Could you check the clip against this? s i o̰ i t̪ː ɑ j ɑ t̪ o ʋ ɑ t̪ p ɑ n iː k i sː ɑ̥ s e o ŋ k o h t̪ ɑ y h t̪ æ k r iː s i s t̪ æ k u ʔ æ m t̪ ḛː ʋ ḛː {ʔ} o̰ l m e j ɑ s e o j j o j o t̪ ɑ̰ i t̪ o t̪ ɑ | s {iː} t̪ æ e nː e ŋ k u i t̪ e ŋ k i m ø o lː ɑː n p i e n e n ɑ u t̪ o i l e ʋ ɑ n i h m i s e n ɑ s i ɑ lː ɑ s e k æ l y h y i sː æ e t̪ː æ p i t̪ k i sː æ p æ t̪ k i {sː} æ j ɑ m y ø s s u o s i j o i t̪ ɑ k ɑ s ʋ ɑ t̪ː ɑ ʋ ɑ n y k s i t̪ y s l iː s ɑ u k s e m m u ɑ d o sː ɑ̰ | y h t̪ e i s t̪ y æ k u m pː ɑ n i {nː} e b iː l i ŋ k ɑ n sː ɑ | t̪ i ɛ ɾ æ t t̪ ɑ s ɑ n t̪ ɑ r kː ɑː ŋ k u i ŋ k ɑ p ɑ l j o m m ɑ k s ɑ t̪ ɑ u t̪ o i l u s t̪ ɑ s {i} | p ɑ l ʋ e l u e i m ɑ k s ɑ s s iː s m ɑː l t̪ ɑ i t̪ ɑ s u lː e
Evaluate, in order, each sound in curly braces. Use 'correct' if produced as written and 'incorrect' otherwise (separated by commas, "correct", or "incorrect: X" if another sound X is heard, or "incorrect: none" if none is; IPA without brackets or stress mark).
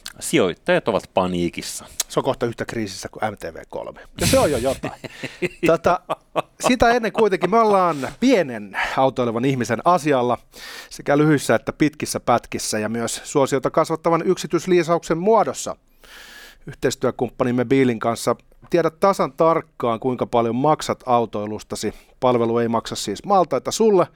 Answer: incorrect: k, incorrect: i, correct, incorrect: mː, correct